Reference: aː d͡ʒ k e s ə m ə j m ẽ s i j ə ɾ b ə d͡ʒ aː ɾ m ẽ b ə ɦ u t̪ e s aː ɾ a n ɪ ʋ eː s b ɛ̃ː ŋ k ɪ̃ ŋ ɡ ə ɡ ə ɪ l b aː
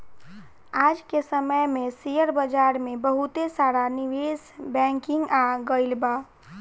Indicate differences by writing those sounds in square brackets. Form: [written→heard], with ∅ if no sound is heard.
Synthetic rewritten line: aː d͡ʒ k e s ə m ə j m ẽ s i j ə ɾ b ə d͡ʒ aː ɾ m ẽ b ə ɦ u t̪ e s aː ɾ a n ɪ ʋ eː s b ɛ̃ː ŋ k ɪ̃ ŋ ɡ [ə→a] ɡ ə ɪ l b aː